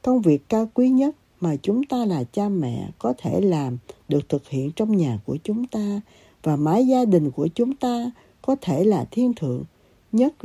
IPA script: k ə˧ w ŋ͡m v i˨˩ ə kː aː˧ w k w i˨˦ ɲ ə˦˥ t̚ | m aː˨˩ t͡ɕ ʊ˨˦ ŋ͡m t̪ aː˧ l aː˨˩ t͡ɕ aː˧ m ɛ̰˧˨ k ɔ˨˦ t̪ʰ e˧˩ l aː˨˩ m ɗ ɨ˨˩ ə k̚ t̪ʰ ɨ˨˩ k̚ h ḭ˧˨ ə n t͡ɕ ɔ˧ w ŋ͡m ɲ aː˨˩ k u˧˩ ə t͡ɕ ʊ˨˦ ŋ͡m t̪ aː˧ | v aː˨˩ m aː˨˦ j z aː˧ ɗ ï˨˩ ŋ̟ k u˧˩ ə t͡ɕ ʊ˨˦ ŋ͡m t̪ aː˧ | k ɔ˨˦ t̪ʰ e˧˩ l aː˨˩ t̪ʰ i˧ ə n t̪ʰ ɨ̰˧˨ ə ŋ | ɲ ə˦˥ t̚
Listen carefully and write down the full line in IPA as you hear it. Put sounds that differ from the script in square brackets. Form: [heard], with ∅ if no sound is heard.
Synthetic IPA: k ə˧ w ŋ͡m v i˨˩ ə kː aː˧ w k w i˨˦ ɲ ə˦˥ t̚ | m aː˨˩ t͡ɕ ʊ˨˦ ŋ͡m t̪ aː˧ l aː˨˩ t͡ɕ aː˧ m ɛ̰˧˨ k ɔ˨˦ t̪ʰ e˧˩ l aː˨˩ m ɗ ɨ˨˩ ə k̚ t̪ʰ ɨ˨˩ k̚ h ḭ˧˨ ə n t͡ɕ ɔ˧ w ŋ͡m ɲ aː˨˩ k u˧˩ ə t͡ɕ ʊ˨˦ ŋ͡m t̪ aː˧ | v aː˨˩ m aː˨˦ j z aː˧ ɗ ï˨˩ ŋ̟ k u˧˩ ə t͡ɕ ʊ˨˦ ŋ͡m t̪ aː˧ | k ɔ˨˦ t̪ʰ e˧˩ l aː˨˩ t̪ʰ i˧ ə n t̪ʰ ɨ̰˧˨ ə ŋ | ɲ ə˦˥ t̚